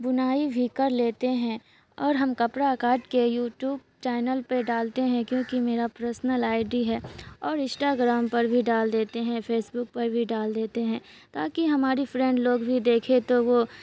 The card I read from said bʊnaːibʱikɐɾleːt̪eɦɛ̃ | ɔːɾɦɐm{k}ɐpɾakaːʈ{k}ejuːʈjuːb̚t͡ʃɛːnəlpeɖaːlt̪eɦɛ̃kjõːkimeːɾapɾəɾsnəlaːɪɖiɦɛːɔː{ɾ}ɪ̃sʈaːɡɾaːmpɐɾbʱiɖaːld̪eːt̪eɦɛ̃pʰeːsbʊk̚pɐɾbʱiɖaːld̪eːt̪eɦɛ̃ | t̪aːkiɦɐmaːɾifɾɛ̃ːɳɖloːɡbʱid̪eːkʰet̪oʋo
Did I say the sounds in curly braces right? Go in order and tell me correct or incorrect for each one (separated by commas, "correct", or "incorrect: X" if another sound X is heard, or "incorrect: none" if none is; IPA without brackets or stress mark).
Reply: correct, correct, correct